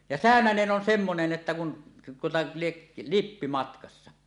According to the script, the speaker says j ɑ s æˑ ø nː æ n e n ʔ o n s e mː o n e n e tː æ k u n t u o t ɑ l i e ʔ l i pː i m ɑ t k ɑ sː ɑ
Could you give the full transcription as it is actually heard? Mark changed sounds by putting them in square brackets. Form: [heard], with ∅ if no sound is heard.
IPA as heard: j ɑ s æˑ ø [n] æ n e n ʔ o n s e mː o n e n e tː æ k u n t u o t ɑ l i e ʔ l i pː i m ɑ t k ɑ sː ɑ